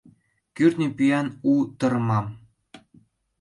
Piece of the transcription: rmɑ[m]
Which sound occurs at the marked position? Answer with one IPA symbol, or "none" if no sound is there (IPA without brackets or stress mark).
m